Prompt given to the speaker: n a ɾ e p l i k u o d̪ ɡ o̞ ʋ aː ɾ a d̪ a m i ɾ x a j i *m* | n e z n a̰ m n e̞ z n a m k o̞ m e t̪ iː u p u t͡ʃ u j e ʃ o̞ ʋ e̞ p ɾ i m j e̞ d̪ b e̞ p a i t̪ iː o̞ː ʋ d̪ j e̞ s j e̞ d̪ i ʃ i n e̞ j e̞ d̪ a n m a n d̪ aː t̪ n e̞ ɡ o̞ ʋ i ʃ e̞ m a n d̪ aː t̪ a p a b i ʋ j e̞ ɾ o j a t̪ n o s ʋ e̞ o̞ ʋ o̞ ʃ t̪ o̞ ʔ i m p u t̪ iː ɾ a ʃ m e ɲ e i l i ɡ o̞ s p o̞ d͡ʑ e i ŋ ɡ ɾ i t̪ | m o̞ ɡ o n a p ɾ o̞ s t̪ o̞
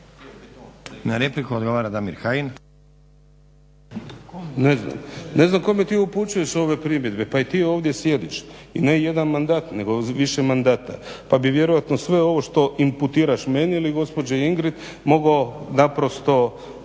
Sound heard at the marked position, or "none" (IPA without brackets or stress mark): n